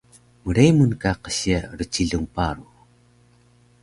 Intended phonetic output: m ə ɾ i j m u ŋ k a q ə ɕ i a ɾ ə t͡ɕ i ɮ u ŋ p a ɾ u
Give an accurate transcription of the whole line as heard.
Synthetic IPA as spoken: m ə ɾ e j m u n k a q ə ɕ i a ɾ ə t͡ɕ i ɮ u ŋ p a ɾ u